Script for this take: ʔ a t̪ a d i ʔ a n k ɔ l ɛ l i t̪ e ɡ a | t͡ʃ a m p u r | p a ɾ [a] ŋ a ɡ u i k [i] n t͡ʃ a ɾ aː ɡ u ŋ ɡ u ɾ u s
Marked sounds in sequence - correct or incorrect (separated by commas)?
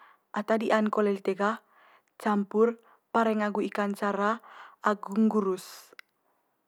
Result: incorrect, incorrect